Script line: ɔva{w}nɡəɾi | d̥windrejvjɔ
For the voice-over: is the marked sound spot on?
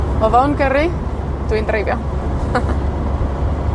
yes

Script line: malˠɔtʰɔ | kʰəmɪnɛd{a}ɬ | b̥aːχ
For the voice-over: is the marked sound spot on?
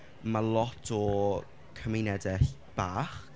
no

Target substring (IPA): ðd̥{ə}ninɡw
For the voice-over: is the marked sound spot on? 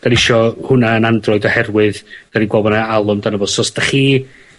no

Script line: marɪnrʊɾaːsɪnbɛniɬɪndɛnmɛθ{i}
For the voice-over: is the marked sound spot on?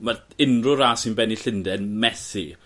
yes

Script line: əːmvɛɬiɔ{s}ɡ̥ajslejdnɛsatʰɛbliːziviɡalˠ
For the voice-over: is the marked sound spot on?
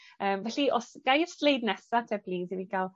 yes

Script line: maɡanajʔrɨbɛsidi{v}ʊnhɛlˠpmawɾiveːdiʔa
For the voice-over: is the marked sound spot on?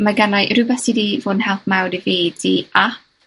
yes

